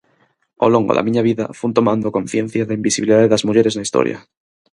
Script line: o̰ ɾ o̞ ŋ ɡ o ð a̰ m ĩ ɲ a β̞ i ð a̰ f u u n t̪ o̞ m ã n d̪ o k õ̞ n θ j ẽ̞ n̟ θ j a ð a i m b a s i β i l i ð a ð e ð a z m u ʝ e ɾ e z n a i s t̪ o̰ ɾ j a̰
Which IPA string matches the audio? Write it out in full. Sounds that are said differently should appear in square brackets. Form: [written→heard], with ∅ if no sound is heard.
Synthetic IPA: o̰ [ɾ→l] o̞ ŋ ɡ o ð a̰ m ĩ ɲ a β̞ i ð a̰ f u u n t̪ o̞ m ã n d̪ o k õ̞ n θ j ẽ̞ n̟ θ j a ð a i m b [a→i] s i β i l i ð a ð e ð a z m u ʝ e ɾ e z n a i s t̪ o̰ ɾ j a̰